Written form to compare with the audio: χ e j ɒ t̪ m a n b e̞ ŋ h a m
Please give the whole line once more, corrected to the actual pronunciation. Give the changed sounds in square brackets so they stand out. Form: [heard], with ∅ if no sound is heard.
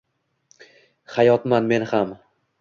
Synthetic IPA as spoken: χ [a] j ɒ t̪ m a n [m] e̞ [n] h a m

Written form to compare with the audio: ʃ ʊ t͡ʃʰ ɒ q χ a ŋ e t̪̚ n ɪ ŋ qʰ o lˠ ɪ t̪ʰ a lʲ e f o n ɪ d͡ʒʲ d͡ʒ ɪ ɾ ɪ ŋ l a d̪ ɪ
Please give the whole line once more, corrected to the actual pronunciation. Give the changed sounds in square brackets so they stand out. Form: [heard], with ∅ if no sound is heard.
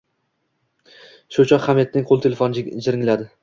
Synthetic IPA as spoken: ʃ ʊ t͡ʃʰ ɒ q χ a [m] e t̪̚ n ɪ ŋ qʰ o lˠ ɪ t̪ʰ [e] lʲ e f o n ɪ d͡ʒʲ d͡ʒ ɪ ɾ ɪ ŋ l a d̪ ɪ

